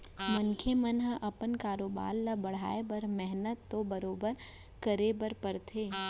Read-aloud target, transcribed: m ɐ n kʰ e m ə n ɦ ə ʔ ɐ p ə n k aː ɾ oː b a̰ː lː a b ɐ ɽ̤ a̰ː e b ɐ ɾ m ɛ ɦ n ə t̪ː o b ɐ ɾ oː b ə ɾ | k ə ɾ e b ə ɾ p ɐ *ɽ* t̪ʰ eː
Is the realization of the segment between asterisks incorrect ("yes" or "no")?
yes